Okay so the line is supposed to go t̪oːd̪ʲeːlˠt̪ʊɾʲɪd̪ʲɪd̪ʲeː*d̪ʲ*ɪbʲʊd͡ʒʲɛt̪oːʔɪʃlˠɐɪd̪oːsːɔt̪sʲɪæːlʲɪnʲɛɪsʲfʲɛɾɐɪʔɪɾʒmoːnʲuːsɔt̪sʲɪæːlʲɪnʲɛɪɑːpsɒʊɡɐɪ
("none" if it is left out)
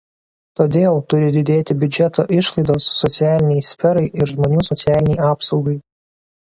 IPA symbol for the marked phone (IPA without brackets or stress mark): t̪ʲ